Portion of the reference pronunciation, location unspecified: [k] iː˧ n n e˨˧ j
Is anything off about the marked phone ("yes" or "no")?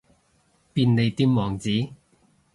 yes